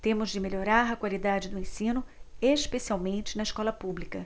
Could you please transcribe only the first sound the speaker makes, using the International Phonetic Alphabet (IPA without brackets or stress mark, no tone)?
t̪